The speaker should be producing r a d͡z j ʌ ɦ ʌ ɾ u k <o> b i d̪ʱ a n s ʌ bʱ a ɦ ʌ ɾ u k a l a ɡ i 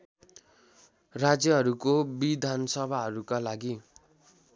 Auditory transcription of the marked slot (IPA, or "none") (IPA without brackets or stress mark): o